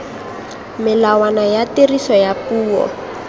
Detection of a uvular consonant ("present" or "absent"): absent